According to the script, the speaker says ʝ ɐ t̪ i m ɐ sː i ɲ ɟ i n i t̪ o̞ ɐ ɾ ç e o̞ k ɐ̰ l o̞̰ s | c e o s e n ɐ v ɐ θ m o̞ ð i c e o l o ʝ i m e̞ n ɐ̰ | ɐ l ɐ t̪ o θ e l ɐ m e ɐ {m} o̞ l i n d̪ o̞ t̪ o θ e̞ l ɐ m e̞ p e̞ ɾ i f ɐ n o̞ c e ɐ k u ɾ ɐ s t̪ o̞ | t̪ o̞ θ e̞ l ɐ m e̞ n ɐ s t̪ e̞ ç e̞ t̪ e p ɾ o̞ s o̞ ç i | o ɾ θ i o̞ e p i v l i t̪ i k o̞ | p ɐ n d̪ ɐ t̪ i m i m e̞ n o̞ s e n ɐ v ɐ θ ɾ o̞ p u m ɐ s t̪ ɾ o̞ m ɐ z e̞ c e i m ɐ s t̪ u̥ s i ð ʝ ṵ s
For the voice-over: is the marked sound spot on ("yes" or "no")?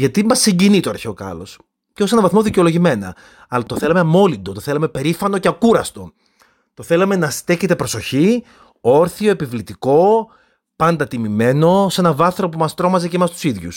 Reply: yes